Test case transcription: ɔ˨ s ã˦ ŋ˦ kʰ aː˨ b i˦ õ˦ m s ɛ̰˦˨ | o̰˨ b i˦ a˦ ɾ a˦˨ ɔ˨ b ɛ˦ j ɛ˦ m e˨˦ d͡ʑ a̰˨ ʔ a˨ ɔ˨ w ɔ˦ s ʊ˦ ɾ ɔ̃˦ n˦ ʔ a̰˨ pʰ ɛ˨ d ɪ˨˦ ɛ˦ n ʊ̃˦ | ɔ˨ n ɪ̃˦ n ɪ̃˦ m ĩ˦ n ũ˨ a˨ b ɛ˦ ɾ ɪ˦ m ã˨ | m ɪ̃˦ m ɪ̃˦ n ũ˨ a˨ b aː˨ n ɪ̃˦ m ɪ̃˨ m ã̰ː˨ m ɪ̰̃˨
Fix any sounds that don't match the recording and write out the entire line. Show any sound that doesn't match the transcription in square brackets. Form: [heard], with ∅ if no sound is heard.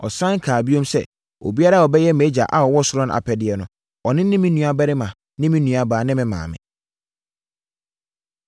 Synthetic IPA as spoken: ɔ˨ s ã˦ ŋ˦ kʰ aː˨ b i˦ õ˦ m s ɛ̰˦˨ | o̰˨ b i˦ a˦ ɾ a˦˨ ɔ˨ b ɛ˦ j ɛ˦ m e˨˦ d͡ʑ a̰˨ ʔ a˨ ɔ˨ w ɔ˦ s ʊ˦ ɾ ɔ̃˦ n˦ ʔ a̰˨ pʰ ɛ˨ d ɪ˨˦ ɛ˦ n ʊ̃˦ | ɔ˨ n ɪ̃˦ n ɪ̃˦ m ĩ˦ n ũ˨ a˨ b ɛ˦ ɾ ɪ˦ m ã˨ | [n] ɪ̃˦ m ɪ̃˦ n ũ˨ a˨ b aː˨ n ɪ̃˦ m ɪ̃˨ m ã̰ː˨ m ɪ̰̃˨